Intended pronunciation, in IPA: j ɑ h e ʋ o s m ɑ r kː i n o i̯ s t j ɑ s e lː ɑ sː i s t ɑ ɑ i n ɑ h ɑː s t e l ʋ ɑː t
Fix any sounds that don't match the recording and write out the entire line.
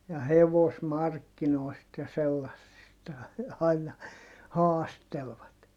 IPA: j ɑ h e ʋ o s m ɑ r kː i n o i̯ s t j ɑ s e lː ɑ sː i s t ɑ ɑ i n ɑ h ɑː s t e l ʋ ɑ t